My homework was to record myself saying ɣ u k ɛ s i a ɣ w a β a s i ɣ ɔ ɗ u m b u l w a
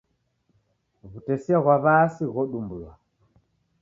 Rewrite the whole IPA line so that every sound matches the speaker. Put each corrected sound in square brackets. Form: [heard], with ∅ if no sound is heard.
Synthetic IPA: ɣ u [t] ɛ s i a ɣ w a β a s i ɣ ɔ ɗ u m b u l w a